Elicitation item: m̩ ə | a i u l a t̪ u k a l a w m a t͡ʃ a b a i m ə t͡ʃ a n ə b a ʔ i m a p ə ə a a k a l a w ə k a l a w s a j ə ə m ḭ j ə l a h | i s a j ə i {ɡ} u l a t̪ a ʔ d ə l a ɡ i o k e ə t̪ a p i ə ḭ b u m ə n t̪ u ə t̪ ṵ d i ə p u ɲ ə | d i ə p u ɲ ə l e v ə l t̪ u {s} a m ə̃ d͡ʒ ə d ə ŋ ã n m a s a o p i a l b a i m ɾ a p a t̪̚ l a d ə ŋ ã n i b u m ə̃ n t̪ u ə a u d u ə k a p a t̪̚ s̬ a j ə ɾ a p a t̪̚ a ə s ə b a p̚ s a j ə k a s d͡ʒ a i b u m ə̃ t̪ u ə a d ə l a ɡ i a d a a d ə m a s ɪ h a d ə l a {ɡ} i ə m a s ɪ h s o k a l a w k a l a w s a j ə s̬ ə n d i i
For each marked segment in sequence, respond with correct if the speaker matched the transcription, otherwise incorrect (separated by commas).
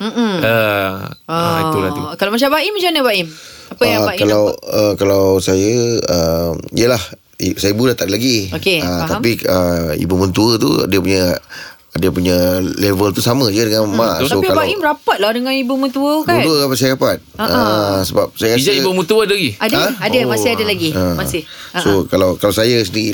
incorrect, correct, correct